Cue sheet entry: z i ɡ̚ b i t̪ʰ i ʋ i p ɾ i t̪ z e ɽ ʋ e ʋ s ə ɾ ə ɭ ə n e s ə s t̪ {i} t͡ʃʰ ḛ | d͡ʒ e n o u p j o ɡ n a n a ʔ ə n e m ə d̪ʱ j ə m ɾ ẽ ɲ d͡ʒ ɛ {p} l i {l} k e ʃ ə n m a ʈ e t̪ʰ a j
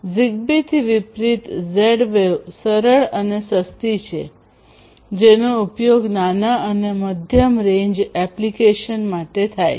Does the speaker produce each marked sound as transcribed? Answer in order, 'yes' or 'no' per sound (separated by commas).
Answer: yes, yes, no